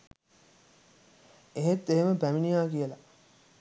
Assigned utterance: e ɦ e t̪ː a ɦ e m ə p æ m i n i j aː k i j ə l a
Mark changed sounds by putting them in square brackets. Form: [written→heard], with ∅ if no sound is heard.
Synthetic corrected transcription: e ɦ e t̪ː [a→e] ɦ e m ə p æ m i n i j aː k i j ə l a